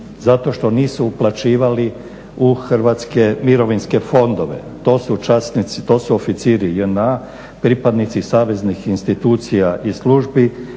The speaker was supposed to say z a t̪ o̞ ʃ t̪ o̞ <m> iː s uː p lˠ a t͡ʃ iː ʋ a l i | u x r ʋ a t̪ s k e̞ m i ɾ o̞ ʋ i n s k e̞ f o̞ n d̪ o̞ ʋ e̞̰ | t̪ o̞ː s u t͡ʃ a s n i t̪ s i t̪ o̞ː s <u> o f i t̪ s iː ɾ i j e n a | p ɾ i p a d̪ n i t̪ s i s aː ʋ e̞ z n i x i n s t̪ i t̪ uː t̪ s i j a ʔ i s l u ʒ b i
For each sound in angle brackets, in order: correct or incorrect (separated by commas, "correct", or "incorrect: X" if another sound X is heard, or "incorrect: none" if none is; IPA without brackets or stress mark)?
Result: incorrect: n, correct